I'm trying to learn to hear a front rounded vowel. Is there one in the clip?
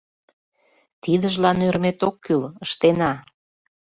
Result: yes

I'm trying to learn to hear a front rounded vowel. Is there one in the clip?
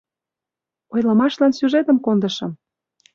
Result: yes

